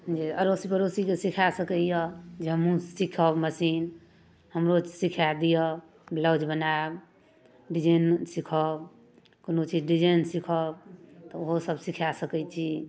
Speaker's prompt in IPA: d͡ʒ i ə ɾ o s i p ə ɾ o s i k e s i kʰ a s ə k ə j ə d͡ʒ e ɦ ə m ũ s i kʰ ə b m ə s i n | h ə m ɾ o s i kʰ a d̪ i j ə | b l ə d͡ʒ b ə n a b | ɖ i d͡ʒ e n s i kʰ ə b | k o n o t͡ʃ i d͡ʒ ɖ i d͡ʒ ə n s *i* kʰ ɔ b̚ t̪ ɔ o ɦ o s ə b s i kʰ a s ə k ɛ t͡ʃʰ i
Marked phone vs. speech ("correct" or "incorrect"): correct